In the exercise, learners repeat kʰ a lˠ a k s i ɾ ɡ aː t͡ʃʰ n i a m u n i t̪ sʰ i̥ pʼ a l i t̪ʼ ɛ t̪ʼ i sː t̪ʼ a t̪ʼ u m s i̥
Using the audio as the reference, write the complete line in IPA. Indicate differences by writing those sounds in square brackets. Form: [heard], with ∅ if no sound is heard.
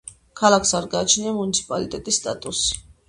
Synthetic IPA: kʰ a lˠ a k s [a] ɾ ɡ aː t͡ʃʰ n i a m u n i t̪ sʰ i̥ pʼ a l i t̪ʼ ɛ t̪ʼ i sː t̪ʼ a t̪ʼ u [∅] s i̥